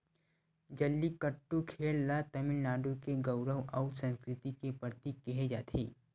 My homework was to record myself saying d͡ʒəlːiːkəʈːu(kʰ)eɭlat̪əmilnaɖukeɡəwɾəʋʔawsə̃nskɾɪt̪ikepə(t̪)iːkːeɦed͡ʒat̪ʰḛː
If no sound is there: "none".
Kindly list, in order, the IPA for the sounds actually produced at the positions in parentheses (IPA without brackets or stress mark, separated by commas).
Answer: kʰ, t̪